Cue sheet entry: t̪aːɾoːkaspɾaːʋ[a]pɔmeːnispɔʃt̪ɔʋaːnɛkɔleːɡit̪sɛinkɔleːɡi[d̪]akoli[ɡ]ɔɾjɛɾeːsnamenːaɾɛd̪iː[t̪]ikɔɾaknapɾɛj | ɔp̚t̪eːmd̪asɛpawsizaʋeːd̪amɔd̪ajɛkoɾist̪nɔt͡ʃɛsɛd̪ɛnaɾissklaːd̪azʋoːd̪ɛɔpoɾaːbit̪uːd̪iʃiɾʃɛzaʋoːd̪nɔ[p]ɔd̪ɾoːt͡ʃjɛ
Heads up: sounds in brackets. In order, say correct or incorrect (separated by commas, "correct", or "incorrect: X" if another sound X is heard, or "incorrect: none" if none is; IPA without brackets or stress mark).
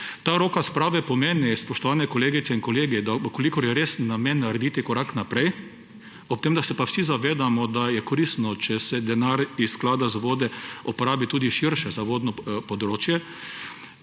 incorrect: ɛ, correct, incorrect: k, correct, correct